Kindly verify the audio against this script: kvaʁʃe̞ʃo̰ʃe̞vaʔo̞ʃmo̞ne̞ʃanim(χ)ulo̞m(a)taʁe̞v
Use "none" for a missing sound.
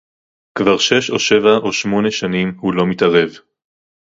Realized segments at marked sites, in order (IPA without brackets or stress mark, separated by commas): h, i